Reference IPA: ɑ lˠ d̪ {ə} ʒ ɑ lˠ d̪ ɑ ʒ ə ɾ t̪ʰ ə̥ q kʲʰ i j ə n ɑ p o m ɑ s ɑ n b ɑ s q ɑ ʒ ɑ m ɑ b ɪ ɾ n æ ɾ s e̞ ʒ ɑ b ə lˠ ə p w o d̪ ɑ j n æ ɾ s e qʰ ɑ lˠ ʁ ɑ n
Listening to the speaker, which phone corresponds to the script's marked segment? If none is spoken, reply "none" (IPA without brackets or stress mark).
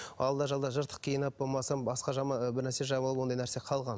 ɑ